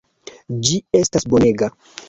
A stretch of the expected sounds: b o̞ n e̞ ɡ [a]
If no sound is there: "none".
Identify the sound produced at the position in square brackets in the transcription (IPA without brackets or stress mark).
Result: a